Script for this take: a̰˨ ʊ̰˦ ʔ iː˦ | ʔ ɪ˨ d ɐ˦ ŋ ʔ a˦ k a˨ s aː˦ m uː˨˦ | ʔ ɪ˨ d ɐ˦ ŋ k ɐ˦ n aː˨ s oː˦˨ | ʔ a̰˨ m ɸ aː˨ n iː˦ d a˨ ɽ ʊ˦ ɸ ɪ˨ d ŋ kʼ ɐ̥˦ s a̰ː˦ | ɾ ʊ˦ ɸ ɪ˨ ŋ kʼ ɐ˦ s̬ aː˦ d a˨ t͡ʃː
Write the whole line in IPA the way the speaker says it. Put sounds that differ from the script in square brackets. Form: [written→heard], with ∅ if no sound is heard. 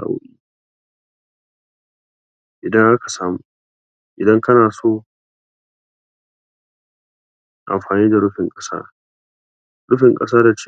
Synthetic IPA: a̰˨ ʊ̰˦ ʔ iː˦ | ʔ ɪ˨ d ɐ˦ ŋ ʔ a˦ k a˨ s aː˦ m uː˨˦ | ʔ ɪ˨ d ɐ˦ ŋ k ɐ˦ n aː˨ s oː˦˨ | ʔ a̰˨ m ɸ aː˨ n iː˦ d a˨ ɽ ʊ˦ ɸ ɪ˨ [d→∅] ŋ kʼ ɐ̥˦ s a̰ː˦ | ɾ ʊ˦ ɸ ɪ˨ ŋ kʼ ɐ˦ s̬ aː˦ d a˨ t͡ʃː